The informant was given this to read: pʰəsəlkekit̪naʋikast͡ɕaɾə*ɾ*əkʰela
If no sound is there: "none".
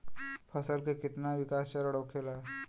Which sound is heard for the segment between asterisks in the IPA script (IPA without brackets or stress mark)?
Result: ɽ